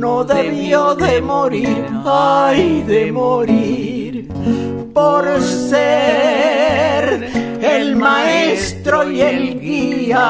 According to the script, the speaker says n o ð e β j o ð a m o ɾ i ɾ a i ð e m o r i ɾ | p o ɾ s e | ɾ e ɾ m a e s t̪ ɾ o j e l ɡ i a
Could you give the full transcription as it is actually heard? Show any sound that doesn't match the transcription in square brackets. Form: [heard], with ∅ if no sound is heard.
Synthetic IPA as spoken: n o ð e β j o ð [e] m o ɾ i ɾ a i ð e m o [ɾ] i ɾ | p o ɾ s e | ɾ e [l] m a e s t̪ ɾ o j e l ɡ i a